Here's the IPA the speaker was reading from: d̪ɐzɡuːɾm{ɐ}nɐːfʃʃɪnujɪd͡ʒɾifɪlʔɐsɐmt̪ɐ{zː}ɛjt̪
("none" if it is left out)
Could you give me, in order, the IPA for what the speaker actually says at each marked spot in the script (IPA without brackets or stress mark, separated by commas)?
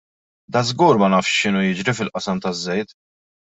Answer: ɐ, zː